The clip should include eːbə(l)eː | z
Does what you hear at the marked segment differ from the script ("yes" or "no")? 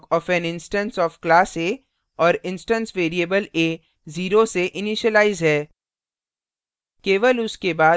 no